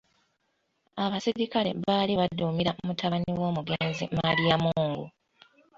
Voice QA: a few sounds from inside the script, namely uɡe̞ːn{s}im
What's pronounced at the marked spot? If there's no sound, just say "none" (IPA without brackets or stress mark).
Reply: z